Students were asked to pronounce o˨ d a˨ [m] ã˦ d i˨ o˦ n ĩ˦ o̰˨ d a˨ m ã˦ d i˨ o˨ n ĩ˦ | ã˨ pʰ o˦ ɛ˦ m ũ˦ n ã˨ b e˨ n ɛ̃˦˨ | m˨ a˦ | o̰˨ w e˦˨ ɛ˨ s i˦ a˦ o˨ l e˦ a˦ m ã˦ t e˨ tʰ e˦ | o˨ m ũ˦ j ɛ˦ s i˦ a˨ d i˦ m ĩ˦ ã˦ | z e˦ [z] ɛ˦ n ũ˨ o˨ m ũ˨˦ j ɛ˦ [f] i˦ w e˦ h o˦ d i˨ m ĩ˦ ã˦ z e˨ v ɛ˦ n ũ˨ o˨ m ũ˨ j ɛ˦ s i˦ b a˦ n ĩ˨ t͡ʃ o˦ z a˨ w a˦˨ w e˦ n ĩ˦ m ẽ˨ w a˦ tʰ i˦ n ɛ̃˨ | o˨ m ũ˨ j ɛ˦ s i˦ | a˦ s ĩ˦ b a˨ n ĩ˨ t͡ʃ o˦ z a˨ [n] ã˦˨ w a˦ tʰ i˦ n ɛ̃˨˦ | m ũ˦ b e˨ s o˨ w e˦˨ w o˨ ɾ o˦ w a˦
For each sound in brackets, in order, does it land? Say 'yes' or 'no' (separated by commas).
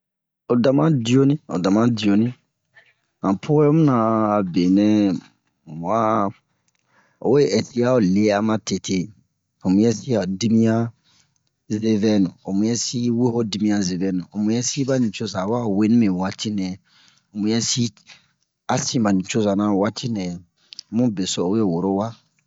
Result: yes, no, no, yes